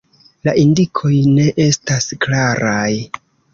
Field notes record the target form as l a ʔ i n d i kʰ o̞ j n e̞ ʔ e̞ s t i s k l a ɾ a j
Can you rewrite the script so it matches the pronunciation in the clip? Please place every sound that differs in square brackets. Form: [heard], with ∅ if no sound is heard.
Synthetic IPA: l a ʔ i n d i kʰ o̞ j n e̞ ʔ e̞ s t [a] s k l a ɾ a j